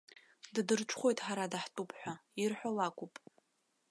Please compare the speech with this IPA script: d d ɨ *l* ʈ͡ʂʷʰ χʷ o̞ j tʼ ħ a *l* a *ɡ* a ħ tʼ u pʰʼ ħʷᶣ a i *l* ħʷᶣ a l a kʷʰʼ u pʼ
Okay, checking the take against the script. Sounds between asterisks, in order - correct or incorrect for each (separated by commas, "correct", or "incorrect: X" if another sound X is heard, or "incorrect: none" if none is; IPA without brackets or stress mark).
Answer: incorrect: r, incorrect: ɾ, incorrect: d, incorrect: r